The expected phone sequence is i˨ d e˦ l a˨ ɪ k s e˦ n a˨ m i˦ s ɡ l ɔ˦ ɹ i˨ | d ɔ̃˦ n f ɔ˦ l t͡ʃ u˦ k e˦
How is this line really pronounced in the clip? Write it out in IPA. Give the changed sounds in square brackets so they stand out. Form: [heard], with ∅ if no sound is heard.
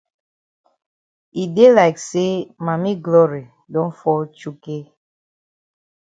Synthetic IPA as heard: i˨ d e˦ l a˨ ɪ k s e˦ [m] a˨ m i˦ [∅] ɡ l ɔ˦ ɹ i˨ | d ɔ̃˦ n f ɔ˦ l t͡ʃ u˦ k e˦